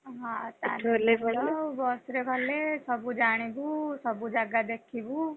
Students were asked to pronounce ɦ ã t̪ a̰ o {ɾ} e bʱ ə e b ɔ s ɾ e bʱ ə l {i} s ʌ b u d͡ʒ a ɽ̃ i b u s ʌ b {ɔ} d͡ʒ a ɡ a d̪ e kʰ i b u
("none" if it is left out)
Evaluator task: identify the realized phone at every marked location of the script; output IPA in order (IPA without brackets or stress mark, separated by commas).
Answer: l, e, u